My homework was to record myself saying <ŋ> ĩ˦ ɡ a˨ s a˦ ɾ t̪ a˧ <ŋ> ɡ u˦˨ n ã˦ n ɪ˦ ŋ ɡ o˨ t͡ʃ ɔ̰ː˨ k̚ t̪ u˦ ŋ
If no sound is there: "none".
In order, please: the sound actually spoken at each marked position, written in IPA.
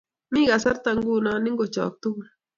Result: m, ŋ

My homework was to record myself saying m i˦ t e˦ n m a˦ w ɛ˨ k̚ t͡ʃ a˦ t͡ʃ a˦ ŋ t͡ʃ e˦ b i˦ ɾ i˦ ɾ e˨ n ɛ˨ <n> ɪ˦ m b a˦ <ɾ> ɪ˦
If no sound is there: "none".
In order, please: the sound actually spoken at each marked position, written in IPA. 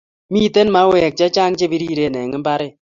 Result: ŋ, ɾ

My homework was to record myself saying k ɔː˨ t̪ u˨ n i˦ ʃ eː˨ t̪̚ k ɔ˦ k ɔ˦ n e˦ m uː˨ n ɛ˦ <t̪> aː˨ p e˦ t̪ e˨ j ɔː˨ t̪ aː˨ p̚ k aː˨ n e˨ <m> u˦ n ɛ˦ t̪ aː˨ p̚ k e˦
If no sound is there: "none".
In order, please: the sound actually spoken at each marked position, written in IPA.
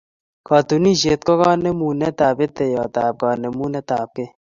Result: t̪, m

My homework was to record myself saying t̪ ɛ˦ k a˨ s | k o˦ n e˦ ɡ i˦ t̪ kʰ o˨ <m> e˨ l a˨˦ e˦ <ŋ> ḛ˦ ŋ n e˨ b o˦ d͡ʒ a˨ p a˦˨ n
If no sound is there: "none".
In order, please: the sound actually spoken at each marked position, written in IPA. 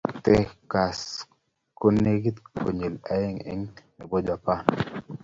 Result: ɲ, ŋ

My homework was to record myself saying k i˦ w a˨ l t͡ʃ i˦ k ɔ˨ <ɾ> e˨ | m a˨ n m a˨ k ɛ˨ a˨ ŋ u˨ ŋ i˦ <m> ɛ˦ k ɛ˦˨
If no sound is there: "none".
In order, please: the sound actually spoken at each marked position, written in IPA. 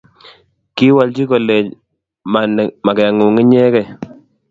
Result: l, ɲ

